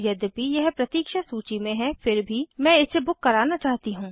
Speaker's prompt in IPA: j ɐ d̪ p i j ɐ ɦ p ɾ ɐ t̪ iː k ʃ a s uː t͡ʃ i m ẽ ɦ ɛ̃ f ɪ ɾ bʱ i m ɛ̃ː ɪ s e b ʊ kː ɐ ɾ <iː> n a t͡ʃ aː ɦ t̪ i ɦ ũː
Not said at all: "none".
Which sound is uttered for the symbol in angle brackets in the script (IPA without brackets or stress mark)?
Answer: aː